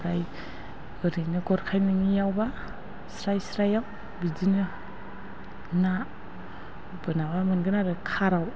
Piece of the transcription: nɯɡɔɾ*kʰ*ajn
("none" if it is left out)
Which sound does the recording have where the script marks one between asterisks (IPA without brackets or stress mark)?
kʰ